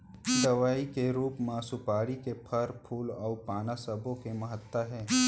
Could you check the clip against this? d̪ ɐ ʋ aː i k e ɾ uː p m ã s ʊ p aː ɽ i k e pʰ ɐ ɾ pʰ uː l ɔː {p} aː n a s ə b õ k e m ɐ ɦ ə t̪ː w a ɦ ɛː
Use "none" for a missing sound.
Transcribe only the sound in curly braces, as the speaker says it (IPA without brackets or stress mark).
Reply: p